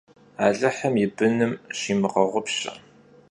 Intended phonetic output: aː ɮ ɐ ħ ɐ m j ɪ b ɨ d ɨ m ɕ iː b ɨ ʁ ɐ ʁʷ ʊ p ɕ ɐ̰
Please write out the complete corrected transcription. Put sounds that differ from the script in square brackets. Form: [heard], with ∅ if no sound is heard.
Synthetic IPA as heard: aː ɮ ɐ ħ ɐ m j ɪ b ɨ [n] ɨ m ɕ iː [m] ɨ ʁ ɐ ʁʷ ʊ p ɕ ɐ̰